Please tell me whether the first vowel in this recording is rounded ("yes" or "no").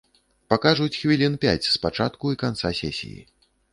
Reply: no